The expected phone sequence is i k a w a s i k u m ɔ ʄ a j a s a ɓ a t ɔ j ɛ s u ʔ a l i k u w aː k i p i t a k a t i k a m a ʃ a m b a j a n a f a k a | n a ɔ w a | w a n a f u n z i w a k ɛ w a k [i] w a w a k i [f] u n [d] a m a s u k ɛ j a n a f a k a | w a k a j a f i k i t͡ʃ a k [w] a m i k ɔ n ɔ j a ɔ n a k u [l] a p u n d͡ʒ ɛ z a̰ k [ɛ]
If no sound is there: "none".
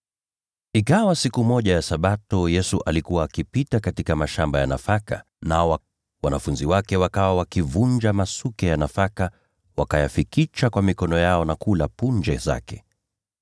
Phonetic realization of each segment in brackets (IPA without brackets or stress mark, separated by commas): a, v, d͡ʒ, w, l, ɛ